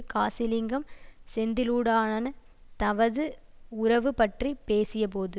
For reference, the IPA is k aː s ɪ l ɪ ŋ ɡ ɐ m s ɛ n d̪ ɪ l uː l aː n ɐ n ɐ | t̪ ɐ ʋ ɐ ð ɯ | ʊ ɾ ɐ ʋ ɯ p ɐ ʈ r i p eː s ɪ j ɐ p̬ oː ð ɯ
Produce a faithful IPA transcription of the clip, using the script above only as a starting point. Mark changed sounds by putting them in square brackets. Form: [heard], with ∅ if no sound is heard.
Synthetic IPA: k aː s ɪ l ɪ ŋ ɡ ɐ m s ɛ n d̪ ɪ l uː [ɽ] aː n ɐ n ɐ | t̪ ɐ ʋ ɐ ð ɯ | ʊ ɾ ɐ ʋ ɯ p ɐ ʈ r i p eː s ɪ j ɐ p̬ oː ð ɯ